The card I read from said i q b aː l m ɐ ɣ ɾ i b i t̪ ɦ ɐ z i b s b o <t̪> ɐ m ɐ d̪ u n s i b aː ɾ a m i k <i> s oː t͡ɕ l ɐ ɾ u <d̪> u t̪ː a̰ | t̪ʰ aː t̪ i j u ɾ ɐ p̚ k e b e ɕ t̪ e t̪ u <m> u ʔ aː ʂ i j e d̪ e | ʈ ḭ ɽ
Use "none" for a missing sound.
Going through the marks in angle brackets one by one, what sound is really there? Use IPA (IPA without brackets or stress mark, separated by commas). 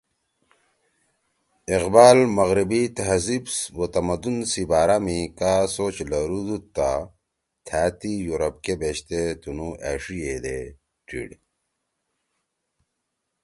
t̪, a, d̪, n